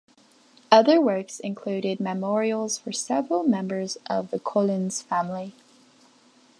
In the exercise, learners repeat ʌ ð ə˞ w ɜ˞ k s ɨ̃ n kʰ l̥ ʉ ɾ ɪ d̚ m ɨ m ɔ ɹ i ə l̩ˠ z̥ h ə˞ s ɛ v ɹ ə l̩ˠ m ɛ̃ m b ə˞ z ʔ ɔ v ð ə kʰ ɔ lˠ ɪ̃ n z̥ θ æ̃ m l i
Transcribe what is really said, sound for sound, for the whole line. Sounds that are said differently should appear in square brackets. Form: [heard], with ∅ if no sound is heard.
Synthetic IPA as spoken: ʌ ð ə˞ w ɜ˞ k s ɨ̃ n kʰ l̥ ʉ ɾ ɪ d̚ m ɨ m ɔ ɹ i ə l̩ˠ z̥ [f] ə˞ s ɛ v ɹ ə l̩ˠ m ɛ̃ m b ə˞ z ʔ [ʌ] v ð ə kʰ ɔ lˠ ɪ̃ n z̥ [f] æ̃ m l i